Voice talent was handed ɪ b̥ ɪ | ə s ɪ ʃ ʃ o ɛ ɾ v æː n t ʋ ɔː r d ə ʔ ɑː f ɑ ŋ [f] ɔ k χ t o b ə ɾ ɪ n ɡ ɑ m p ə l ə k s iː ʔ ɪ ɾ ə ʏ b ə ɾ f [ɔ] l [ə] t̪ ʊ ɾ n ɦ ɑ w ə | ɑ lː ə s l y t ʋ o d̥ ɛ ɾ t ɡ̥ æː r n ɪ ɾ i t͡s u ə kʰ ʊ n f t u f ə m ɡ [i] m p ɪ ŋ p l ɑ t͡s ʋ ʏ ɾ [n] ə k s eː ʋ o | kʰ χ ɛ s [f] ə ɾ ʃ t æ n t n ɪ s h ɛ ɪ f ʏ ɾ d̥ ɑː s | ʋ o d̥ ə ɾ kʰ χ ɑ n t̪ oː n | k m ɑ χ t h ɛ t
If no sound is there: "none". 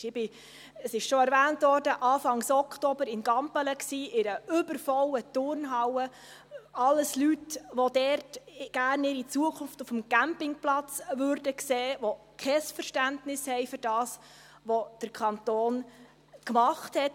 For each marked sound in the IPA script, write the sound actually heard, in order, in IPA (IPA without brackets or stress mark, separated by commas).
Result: s, ɔ, ə, æ, d, f